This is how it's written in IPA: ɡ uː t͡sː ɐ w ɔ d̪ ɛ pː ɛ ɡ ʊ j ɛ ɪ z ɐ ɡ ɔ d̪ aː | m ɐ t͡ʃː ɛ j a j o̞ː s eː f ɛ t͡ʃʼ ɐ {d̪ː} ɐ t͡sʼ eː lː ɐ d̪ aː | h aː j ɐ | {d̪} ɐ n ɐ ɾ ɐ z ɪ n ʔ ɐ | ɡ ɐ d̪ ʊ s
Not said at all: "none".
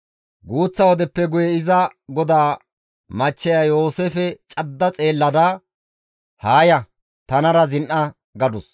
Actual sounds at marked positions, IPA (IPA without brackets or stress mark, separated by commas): d̪ː, t̪